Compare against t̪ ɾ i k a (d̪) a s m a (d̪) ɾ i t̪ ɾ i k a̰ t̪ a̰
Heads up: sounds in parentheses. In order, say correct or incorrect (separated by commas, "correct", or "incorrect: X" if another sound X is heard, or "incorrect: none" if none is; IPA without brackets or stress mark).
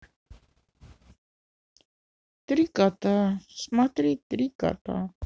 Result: incorrect: t̪, incorrect: t̪